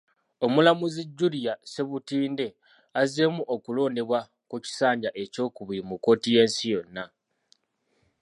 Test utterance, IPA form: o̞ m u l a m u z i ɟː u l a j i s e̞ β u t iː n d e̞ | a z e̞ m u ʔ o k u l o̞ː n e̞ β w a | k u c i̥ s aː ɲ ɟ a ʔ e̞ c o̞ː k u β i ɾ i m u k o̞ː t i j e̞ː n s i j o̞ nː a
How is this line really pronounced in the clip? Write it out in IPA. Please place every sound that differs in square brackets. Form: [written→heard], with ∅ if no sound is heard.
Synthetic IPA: o̞ m u l a m u z i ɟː u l [a→i] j [i→a] s e̞ β u t iː n d e̞ | a z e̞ m u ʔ o k u l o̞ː n e̞ β w a | k u c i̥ s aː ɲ ɟ a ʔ e̞ c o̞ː k u β i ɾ i m u k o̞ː t i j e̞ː n s i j o̞ nː a